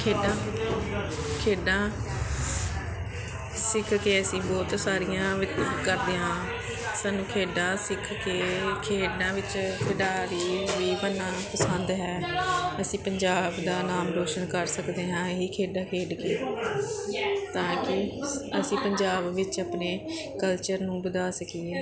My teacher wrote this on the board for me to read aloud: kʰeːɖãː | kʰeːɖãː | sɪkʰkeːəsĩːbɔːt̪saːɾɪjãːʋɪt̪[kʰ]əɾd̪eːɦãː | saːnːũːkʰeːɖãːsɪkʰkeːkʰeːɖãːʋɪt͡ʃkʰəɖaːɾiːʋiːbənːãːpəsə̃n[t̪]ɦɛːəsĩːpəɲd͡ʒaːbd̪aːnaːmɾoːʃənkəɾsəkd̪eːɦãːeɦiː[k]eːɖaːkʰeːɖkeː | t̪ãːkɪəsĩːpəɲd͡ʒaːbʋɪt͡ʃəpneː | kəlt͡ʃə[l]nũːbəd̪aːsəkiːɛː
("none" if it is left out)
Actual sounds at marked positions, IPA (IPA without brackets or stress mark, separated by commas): k, d̪, kʰ, ɾ